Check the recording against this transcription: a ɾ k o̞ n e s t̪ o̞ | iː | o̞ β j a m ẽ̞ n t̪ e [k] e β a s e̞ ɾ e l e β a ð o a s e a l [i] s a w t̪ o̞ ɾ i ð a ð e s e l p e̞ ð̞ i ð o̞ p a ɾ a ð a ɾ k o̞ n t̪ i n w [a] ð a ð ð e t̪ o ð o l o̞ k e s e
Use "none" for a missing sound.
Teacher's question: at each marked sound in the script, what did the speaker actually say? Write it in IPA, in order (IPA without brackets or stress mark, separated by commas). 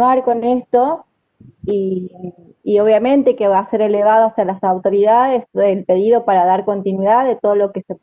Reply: k, a, i